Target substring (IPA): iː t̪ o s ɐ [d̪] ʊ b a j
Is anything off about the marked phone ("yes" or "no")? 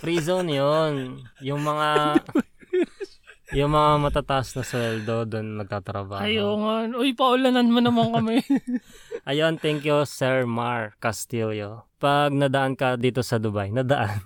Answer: no